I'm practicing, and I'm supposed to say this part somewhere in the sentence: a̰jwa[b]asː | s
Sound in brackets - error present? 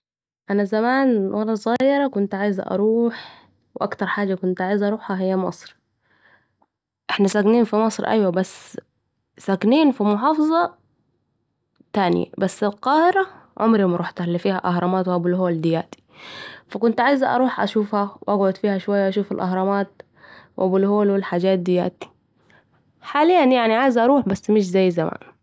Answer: no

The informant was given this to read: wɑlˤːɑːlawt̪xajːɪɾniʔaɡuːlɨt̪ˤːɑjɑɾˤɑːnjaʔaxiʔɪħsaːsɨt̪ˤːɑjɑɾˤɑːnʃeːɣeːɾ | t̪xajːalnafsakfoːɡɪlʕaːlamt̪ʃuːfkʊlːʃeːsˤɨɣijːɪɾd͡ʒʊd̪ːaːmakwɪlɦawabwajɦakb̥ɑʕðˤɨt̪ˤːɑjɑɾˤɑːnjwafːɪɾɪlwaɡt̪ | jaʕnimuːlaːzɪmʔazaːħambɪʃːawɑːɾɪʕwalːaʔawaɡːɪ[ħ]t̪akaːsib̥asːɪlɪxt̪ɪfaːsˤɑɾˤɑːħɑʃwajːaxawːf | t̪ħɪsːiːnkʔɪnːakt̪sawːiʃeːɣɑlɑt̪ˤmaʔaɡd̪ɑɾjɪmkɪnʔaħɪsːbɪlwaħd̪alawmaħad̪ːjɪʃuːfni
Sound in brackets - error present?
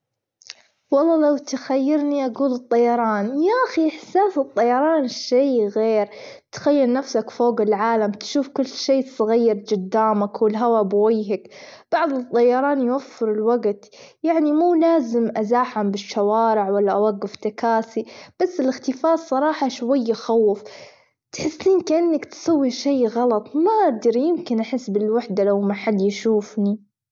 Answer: yes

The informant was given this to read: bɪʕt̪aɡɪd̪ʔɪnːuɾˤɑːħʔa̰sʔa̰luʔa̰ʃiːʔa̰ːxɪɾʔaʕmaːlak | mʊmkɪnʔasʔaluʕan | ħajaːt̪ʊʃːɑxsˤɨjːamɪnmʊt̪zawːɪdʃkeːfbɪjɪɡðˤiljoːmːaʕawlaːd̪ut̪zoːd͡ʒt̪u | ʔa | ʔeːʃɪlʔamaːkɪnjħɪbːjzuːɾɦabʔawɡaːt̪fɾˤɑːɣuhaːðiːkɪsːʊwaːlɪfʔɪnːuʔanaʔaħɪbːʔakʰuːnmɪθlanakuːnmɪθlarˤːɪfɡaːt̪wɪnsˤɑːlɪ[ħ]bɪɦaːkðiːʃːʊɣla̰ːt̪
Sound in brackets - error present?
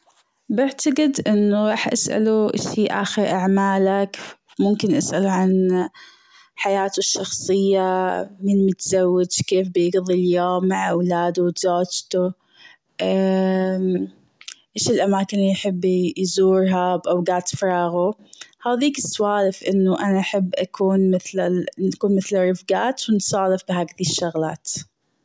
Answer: yes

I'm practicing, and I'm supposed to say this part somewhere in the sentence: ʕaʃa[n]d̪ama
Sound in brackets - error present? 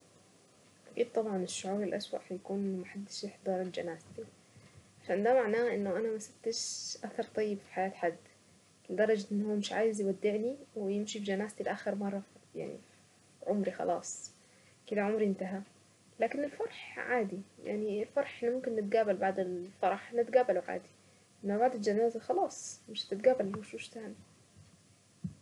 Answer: no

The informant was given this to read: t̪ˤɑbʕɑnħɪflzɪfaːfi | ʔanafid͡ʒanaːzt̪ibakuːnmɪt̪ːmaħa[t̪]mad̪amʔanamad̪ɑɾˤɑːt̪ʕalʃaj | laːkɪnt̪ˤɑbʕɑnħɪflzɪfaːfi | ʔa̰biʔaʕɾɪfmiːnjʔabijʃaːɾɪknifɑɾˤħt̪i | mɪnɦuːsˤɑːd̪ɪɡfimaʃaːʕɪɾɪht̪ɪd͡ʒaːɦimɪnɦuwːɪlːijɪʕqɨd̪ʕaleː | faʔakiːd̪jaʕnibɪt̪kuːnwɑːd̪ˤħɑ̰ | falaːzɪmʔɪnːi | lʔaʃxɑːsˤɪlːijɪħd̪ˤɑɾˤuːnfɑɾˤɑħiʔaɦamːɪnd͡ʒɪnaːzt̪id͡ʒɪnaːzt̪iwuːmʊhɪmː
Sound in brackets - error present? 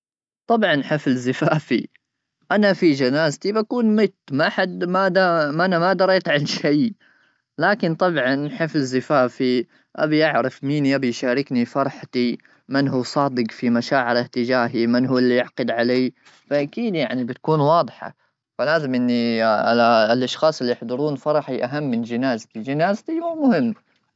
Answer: yes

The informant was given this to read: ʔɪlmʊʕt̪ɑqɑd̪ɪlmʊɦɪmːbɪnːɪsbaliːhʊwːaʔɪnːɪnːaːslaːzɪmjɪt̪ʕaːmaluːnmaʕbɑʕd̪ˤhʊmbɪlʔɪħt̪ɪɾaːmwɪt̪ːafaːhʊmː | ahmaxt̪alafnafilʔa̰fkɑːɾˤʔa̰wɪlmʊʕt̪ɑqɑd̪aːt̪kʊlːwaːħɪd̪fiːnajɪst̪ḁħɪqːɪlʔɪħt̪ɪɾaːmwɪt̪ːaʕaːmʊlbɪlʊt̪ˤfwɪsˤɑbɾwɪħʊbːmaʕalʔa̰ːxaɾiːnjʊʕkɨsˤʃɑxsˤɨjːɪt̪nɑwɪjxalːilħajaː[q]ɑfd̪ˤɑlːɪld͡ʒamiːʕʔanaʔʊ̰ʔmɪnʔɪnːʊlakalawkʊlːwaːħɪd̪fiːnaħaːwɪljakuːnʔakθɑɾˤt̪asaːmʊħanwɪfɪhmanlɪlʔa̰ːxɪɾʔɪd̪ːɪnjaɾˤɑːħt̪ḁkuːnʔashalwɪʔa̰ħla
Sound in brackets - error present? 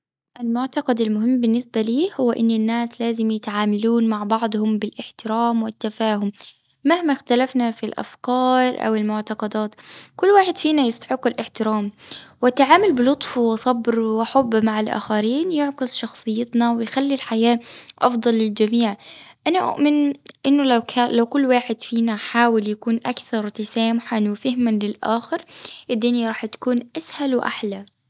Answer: yes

